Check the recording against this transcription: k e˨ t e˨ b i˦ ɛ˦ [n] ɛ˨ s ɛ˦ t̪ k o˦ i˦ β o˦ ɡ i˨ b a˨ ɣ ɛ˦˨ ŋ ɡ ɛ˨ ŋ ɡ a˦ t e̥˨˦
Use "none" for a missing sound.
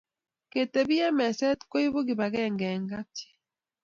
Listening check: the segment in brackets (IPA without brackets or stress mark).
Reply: m